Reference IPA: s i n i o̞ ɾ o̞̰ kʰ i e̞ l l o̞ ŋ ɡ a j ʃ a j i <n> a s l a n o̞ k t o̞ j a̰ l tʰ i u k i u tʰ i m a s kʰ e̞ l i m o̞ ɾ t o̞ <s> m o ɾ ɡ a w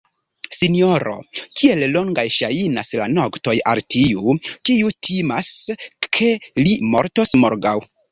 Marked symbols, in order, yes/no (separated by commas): yes, yes